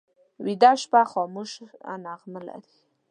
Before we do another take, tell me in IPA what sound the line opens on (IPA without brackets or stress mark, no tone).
w